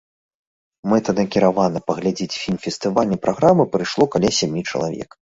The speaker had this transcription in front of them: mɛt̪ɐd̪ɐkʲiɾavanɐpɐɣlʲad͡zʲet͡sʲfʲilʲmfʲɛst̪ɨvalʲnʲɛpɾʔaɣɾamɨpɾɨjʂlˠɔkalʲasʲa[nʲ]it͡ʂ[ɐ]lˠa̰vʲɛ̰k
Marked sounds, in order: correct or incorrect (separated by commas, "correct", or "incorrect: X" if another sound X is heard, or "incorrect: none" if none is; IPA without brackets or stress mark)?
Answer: incorrect: mʲ, correct